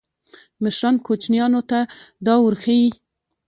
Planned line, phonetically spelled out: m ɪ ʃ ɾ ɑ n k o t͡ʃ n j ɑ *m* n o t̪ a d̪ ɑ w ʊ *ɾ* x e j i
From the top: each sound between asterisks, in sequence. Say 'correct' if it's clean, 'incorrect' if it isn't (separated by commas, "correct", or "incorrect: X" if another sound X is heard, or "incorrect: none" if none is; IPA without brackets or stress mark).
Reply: incorrect: none, correct